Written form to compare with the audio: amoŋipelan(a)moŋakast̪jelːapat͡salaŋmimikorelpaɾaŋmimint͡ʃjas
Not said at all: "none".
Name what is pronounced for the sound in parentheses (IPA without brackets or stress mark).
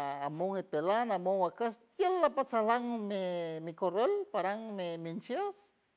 a